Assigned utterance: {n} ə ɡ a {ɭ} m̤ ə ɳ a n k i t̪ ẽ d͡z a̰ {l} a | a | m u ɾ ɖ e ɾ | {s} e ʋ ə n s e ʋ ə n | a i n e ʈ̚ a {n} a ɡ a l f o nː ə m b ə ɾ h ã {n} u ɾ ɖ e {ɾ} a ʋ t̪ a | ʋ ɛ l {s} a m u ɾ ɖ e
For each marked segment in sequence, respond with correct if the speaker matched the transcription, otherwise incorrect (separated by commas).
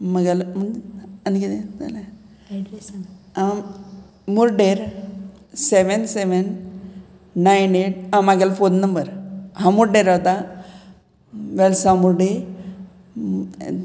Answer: incorrect, incorrect, correct, correct, incorrect, incorrect, correct, correct